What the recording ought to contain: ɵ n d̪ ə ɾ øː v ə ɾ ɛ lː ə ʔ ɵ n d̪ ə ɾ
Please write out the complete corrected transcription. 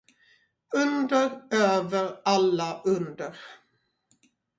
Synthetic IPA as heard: ɵ n d̪ ə ɾ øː v ə ɾ a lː a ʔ ɵ n d̪ ə ɾ